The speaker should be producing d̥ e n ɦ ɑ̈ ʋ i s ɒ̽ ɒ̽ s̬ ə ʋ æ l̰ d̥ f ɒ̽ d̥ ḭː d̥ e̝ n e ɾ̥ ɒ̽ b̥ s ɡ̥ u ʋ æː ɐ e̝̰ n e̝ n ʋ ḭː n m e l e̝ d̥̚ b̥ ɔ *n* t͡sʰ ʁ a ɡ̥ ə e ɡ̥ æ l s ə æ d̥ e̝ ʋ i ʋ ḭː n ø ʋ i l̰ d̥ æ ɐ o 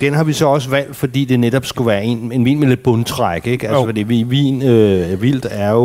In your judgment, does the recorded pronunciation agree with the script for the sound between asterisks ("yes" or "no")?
yes